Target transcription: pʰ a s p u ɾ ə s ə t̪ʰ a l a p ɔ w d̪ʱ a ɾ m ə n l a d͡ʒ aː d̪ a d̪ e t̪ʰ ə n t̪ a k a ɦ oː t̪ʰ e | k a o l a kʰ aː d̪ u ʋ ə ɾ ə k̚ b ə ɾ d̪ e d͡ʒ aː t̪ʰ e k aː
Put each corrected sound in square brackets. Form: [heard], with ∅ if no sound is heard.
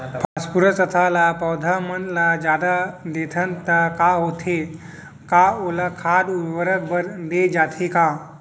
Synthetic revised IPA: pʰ a s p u ɾ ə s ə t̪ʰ a l a p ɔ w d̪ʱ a [∅] m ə n l a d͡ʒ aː d̪ a d̪ e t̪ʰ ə n t̪ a k a ɦ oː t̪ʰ e | k a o l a kʰ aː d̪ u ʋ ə ɾ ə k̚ b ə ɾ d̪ e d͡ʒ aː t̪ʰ e k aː